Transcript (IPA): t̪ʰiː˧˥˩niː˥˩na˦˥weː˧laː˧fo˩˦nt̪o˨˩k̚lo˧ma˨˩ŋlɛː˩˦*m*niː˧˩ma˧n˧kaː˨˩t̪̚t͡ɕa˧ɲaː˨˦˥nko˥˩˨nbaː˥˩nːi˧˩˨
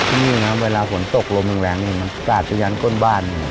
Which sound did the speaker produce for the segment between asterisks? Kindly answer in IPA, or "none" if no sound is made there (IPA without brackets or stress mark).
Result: ŋ